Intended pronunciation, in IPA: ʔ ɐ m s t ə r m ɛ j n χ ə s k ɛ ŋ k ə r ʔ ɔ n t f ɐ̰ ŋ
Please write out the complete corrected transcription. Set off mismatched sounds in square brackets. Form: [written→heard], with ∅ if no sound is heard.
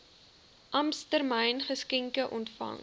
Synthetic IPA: ʔ ɐ m s t ə r m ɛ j n χ ə s k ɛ ŋ k ə [r→∅] ʔ ɔ n t f ɐ̰ ŋ